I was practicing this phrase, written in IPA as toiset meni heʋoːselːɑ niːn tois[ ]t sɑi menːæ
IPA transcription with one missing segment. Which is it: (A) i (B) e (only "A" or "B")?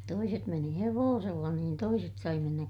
B